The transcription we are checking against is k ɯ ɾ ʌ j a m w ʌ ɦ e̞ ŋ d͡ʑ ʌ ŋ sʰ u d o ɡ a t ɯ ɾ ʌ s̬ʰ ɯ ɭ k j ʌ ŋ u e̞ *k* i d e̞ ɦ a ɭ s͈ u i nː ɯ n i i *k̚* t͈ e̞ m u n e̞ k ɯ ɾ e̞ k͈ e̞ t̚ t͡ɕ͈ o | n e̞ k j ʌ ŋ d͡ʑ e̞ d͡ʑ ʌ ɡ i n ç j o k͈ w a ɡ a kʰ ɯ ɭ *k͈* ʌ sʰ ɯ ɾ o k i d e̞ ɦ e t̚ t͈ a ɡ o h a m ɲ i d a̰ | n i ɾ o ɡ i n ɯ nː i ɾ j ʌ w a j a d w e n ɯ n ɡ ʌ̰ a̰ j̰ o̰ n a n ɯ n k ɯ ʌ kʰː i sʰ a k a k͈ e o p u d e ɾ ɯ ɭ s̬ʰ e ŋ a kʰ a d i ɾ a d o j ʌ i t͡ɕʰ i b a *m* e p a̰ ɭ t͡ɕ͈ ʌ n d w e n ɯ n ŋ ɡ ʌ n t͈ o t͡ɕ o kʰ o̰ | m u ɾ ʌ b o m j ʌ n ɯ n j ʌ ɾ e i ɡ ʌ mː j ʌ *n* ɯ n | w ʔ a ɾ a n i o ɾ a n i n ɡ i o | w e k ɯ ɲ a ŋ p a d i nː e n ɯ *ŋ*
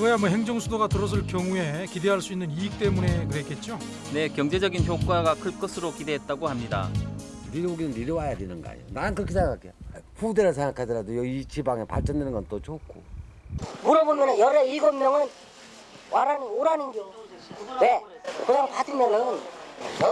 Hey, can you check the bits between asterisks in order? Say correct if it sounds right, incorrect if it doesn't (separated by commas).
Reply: correct, correct, correct, incorrect, incorrect, incorrect